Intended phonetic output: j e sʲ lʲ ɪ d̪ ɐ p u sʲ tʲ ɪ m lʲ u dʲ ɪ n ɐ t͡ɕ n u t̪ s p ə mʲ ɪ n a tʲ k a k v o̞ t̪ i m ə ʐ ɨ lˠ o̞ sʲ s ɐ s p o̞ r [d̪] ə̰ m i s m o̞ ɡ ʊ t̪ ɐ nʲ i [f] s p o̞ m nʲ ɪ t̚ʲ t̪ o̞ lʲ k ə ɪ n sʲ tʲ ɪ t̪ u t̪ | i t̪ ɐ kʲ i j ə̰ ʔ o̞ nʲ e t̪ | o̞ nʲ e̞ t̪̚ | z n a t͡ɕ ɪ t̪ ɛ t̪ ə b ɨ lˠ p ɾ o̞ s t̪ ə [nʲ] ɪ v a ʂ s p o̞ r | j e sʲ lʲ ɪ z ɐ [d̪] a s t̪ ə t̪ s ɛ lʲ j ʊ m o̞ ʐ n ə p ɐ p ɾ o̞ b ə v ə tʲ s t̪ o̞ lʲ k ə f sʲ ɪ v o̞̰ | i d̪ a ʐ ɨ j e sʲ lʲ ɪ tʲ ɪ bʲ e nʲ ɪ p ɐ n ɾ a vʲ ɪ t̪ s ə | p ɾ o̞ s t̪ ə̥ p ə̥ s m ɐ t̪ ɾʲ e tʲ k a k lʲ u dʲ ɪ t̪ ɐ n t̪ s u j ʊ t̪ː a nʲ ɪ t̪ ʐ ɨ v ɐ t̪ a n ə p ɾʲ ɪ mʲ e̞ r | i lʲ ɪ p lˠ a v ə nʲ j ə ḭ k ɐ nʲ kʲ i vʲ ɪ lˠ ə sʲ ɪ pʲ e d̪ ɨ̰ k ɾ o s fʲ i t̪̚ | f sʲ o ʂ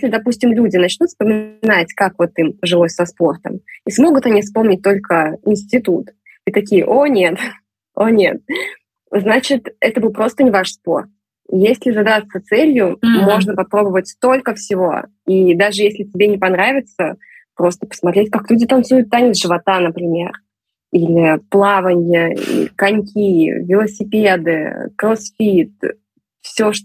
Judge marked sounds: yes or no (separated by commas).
no, yes, yes, yes